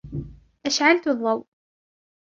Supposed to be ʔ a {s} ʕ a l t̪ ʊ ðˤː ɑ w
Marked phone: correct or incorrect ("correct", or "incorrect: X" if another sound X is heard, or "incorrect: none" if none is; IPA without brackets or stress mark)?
incorrect: ʃ